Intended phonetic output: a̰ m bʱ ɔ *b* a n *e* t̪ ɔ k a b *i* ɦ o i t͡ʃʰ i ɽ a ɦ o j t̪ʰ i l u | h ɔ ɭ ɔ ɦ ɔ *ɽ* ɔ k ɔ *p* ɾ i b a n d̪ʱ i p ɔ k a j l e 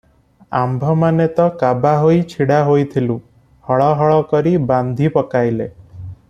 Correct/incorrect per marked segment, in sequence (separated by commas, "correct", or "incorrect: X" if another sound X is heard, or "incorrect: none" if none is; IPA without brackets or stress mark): incorrect: m, correct, incorrect: a, incorrect: ɭ, incorrect: none